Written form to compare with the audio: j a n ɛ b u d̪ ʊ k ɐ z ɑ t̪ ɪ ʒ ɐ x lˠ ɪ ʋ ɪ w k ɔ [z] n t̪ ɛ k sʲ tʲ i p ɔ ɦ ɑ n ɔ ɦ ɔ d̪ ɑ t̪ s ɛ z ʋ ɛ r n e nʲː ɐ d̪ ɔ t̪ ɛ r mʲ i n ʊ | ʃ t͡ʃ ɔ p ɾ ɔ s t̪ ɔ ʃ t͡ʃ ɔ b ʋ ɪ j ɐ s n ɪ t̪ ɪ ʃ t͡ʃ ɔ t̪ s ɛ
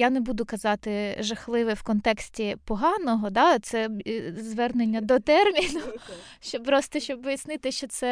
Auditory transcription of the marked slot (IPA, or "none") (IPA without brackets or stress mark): none